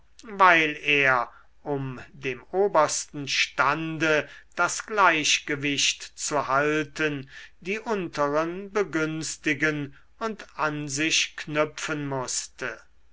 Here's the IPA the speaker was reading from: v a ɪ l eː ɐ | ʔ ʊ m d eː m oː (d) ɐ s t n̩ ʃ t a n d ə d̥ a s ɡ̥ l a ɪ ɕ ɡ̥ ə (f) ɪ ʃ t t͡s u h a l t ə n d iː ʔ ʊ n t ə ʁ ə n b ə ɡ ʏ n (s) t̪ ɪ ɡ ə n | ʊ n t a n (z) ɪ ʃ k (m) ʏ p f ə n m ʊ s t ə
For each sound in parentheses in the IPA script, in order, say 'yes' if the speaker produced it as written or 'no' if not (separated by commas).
no, no, yes, yes, no